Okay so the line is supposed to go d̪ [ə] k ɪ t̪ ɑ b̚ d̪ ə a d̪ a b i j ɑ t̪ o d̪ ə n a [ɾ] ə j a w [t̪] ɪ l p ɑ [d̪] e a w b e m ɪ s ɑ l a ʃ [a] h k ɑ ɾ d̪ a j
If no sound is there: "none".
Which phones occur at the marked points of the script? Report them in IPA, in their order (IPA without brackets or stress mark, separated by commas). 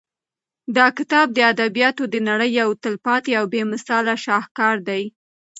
ɑ, ɽ, t̪, t̪, ɑ